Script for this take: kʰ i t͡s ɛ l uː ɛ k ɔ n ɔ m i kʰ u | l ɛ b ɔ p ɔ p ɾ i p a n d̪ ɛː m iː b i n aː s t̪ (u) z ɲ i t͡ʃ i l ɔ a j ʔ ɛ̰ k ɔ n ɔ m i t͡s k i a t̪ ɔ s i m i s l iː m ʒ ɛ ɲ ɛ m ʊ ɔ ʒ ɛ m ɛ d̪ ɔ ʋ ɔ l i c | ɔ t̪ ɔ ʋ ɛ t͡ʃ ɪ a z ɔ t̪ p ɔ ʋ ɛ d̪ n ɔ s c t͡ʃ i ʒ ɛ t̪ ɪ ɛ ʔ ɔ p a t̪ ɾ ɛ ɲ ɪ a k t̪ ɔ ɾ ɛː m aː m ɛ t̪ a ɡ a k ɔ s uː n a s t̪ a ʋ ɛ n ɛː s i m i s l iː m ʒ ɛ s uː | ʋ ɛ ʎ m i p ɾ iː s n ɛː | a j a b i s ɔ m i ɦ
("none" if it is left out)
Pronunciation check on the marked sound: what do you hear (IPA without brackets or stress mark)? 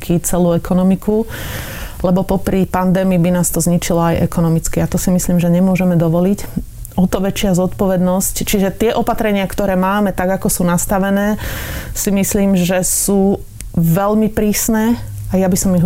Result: ɔ